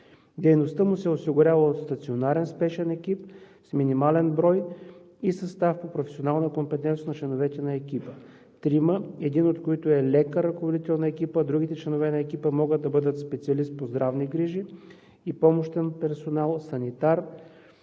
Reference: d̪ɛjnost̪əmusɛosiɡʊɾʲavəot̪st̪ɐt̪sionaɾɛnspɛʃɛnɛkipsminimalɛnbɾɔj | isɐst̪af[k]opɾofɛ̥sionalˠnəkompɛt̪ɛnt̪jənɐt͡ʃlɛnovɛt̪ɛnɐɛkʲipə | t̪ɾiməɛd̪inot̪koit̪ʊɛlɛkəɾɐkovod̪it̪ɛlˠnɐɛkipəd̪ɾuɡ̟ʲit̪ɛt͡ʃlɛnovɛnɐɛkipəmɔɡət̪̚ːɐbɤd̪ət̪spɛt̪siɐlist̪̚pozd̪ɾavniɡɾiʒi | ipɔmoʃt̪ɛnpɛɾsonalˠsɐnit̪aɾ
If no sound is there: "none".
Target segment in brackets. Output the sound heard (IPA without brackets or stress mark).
p